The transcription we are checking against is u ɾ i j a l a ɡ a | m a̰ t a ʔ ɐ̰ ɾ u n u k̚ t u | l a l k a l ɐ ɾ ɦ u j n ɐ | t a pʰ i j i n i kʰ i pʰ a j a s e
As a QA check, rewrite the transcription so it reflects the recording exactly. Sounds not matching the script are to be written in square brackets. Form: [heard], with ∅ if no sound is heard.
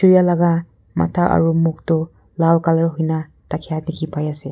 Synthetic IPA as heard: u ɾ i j a l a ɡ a | m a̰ [tʰ] a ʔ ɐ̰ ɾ u [m] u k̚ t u | l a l k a l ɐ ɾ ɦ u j n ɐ | t a [kʰ] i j [a] n i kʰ i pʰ a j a s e